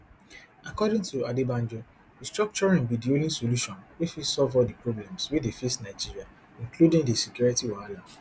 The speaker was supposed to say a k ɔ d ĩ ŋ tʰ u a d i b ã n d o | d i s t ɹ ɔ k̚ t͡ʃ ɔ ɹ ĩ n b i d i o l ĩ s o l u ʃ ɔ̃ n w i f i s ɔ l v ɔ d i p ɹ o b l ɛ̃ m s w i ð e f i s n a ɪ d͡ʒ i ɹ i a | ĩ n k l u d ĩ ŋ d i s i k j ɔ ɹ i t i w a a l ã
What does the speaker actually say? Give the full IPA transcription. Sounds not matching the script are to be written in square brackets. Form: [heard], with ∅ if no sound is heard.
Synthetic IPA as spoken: a k ɔ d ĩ ŋ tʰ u a d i b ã n [d͡ʒ] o | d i s t ɹ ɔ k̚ t͡ʃ ɔ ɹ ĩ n b i d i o l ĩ s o l u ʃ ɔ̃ n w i f i s ɔ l v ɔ d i p ɹ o b l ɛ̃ m s w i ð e f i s n a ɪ d͡ʒ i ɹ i a | ĩ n k l u d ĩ ŋ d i s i k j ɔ ɹ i t i w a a l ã